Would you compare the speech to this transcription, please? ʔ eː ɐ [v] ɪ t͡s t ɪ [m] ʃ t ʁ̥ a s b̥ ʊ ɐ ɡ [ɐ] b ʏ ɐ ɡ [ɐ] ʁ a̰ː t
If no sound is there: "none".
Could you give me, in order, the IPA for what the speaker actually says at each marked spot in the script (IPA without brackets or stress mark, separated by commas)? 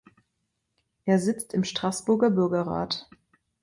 z, m, ɐ, ɐ